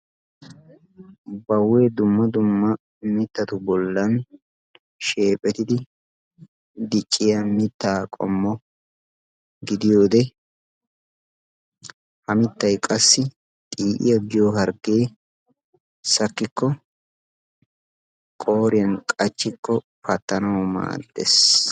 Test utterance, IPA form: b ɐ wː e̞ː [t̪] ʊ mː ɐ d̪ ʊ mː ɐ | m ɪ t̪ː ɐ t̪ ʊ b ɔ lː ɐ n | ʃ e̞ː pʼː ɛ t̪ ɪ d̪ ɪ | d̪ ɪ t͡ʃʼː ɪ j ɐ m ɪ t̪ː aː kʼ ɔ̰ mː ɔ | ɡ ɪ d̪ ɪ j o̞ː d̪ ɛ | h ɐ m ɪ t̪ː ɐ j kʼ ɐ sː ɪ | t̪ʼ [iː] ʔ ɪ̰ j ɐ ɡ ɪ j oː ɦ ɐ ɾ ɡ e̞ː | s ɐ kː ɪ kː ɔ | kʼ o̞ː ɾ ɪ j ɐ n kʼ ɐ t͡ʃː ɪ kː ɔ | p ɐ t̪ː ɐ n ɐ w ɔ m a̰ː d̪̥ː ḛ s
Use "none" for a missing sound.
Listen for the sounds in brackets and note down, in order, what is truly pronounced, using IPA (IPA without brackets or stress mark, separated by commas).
d̪, iː